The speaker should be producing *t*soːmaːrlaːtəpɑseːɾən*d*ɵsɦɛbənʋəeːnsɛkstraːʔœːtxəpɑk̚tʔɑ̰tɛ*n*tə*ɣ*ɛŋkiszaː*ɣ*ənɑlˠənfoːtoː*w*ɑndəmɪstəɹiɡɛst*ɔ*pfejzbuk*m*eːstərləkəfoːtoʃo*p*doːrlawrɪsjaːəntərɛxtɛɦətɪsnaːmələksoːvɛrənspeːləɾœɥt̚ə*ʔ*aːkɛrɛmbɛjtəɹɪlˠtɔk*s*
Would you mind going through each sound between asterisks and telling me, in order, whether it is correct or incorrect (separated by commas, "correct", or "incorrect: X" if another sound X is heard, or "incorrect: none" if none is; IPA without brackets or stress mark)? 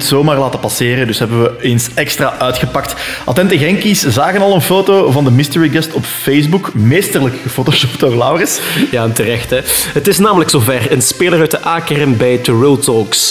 correct, correct, correct, correct, correct, incorrect: v, correct, correct, correct, correct, correct